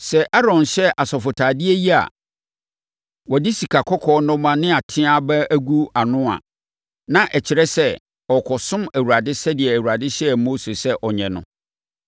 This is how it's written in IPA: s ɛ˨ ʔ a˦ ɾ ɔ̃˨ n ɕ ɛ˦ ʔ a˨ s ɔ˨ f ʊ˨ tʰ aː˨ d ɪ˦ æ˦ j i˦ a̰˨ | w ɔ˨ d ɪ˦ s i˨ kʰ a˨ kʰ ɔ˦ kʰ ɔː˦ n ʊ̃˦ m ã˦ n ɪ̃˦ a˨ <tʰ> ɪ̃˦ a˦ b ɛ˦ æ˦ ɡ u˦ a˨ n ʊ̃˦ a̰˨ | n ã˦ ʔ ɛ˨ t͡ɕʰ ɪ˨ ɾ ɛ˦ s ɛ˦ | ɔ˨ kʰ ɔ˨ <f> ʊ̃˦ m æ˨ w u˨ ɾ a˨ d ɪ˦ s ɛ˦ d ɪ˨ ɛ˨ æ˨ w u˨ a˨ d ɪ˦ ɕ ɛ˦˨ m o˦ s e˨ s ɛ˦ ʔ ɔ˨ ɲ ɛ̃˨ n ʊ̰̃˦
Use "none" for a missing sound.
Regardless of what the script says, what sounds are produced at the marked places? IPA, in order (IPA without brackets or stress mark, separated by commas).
tʰ, s